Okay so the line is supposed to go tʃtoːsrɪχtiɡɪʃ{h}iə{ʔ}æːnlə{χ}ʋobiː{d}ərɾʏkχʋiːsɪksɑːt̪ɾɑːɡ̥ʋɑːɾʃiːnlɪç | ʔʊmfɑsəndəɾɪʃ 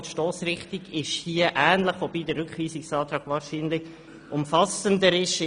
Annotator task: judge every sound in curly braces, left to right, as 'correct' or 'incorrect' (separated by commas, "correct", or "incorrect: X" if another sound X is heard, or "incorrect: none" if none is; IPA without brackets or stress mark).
correct, correct, correct, correct